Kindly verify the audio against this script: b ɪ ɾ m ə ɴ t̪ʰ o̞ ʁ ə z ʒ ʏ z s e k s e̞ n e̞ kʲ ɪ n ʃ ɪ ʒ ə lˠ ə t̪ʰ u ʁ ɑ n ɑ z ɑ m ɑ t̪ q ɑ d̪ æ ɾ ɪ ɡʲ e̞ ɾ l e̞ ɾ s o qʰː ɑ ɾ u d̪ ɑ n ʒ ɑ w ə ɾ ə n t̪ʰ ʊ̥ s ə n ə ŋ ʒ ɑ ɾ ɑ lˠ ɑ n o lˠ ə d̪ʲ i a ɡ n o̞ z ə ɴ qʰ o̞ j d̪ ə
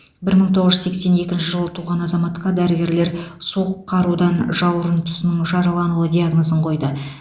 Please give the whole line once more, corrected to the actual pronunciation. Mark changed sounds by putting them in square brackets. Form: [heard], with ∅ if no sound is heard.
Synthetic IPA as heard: b ɪ ɾ m ə ɴ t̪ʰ o̞ ʁ ə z ʒ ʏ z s e k s e̞ n e̞ kʲ ɪ n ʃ ɪ ʒ ə lˠ ə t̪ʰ u ʁ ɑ n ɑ z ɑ m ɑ t̪ q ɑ d̪ æ ɾ ɪ ɡʲ e̞ ɾ l e̞ ɾ s o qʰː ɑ ɾ u d̪ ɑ n ʒ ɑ w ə ɾ ə n t̪ʰ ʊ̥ s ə n ə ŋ ʒ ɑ ɾ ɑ lˠ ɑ n [u] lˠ ə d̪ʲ i a ɡ n o̞ z ə ɴ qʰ o̞ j d̪ ə